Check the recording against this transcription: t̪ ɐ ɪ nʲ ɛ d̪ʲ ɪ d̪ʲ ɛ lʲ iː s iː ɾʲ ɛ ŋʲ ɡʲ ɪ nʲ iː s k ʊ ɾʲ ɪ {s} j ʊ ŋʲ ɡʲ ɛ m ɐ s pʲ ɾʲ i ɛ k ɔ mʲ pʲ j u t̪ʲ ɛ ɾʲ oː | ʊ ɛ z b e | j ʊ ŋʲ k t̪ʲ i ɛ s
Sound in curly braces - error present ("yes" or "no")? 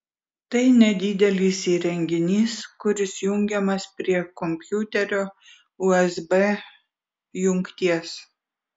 no